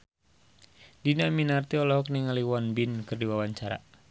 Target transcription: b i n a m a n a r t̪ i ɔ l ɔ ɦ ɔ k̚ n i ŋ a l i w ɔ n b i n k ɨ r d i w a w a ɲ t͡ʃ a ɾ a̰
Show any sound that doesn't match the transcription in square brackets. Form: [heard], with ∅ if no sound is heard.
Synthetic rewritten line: [d] i n a m [i] n a r t̪ i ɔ l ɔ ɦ ɔ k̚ n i ŋ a l i w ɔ n b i n k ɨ r d i w a w a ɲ t͡ʃ a ɾ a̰